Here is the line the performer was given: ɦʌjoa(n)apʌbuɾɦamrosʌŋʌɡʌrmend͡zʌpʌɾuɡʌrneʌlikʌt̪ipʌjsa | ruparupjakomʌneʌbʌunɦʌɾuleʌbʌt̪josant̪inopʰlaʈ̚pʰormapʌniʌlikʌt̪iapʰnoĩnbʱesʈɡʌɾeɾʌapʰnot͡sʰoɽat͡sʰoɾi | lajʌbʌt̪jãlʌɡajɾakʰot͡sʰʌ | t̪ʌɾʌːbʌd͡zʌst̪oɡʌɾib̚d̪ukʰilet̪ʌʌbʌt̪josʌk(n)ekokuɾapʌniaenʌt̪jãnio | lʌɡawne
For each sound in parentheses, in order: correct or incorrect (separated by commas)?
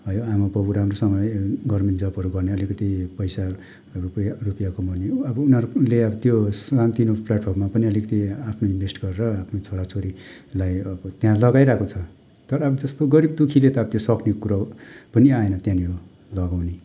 incorrect, correct